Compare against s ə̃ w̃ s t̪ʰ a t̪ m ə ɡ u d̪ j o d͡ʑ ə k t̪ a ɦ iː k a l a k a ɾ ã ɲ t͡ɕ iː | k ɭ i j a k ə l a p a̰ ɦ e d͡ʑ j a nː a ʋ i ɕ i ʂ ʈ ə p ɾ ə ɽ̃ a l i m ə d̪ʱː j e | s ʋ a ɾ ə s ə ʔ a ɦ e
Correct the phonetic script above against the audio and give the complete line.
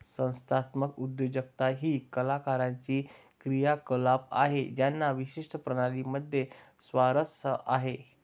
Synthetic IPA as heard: s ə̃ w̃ s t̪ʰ a t̪ m ə k u d̪ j o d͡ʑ ə k t̪ a ɦ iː k ə l a k a ɾ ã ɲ t͡ɕ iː | k ɾ i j a k ə l a p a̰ ɦ e d͡ʑ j a nː a ʋ i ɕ i ʂ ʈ ə p ɾ ə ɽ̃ a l i m ə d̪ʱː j e | s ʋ a ɾ ə s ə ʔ a ɦ e